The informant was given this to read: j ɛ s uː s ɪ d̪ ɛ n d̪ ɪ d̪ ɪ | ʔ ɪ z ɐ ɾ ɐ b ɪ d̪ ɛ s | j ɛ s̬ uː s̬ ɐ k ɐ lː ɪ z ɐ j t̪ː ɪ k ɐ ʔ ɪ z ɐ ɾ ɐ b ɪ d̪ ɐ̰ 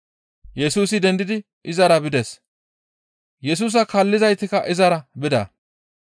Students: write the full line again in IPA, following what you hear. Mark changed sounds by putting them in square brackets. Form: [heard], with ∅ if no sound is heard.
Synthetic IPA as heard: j ɛ s uː s ɪ d̪ ɛ n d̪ ɪ d̪ ɪ | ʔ ɪ z ɐ ɾ ɐ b ɪ d̪ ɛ s | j ɛ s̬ uː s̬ ɐ k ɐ lː ɪ z ɐ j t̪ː ɪ k ɐ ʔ ɪ z ɐ ɾ ɐ b ɪ d̪ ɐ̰